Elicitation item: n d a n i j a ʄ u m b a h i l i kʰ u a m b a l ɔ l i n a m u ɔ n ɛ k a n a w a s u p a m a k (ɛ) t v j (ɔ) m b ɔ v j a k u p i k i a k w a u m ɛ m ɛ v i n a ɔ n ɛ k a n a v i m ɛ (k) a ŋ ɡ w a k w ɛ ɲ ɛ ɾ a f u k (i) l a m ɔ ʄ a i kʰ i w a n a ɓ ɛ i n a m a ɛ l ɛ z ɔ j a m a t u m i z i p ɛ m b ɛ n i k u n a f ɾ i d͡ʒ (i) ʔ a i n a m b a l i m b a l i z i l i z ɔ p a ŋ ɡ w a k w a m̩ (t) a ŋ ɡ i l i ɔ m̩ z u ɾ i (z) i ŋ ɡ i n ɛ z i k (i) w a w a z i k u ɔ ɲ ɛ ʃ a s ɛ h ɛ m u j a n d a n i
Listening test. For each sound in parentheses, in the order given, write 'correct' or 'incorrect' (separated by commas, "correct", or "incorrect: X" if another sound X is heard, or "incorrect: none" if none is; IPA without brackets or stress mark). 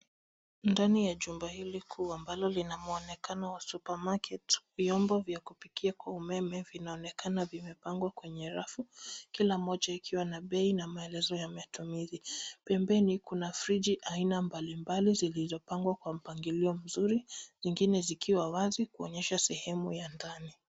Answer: correct, correct, incorrect: p, correct, correct, incorrect: p, correct, correct